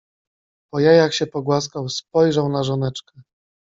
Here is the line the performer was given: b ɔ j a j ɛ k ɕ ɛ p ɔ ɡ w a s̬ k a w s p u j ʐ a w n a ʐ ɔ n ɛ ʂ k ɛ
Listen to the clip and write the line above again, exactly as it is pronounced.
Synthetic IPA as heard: p ɔ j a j a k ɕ ɛ p ɔ ɡ w a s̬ k a w s p ɔ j ʐ a w n a ʐ ɔ n ɛ t͡ʂ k ɛ